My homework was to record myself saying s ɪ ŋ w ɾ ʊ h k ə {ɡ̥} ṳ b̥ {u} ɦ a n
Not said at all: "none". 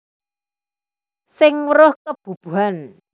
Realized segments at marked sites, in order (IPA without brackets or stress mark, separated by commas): b̥, u